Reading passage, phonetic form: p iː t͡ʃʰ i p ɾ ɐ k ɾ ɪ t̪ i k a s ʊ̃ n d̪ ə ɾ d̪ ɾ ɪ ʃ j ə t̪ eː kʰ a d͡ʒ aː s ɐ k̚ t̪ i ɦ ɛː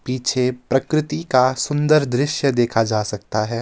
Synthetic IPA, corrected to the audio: p iː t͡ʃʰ e p ɾ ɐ k ɾ ɪ t̪ i k a s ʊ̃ n d̪ ə ɾ d̪ ɾ ɪ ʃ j ə d̪ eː kʰ a d͡ʒ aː s ɐ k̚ t̪ a ɦ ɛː